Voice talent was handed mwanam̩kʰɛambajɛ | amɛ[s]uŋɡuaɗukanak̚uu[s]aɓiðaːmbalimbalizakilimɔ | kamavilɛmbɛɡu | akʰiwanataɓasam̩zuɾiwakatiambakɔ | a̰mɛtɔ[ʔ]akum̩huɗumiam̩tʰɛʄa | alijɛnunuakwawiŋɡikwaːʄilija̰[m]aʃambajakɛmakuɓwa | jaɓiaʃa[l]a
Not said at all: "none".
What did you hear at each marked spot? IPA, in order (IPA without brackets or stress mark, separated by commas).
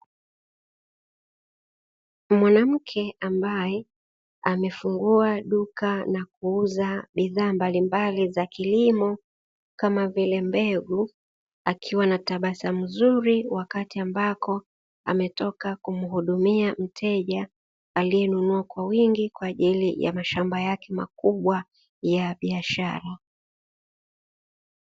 f, z, k, m, ɾ